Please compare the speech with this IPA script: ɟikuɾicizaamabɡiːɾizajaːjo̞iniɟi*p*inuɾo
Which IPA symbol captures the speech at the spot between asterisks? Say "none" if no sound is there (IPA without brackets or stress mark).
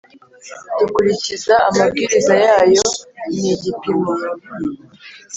p